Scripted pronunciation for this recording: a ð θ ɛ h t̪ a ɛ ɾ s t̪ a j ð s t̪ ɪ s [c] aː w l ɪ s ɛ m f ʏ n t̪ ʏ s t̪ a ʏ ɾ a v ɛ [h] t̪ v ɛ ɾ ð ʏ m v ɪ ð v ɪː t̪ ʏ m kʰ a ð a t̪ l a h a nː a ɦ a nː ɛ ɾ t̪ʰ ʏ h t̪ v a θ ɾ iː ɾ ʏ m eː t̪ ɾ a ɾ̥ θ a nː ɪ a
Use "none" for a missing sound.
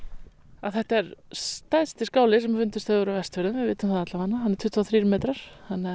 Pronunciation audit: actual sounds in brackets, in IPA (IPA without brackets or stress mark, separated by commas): k, s